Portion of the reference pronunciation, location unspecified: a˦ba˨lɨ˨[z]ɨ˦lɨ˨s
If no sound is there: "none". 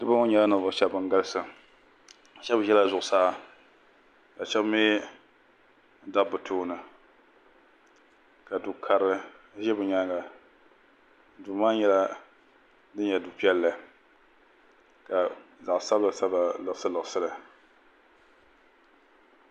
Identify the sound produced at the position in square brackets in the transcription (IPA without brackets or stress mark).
s